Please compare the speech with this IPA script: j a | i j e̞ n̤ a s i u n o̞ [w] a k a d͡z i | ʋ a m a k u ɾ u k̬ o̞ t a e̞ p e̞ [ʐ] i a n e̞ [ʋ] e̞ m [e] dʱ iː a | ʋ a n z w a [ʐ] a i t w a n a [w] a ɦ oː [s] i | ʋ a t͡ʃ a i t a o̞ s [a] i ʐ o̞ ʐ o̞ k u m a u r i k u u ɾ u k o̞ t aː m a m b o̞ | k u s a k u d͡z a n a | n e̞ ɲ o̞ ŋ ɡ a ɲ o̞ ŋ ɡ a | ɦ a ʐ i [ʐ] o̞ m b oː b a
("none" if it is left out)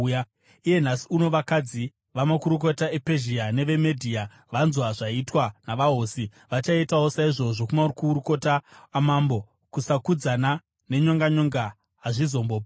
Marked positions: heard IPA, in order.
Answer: ʋ, ʒ, ʋ, e, ʐ, ʋ, s, a, z

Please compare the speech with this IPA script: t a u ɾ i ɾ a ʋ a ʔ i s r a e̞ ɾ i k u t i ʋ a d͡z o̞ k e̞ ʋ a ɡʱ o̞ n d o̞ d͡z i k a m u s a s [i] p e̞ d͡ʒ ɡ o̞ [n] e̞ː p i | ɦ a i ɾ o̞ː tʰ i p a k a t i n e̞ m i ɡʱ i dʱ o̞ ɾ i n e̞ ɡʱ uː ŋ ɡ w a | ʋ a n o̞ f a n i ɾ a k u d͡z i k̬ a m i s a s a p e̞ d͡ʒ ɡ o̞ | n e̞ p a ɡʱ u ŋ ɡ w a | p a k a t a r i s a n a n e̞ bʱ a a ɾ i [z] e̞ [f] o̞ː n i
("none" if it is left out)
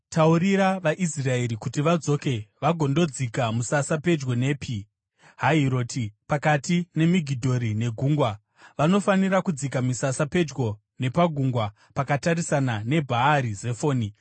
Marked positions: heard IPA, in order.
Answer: a, n, z, f

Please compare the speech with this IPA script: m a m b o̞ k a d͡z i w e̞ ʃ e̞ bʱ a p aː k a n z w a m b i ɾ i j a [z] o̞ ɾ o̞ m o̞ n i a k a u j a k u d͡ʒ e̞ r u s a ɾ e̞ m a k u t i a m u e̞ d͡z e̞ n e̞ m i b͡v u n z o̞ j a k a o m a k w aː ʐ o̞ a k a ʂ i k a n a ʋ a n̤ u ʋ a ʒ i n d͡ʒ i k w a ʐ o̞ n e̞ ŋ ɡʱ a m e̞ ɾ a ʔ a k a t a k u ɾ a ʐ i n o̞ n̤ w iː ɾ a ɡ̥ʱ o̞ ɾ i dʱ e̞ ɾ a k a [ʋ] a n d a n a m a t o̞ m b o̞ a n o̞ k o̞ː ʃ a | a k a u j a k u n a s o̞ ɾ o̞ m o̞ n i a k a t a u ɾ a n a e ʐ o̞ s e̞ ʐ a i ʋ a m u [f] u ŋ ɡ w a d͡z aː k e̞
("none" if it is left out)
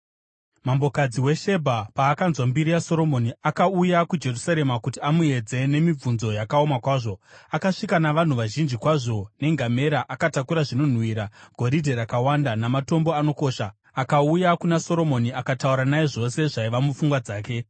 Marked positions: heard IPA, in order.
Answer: s, w, f

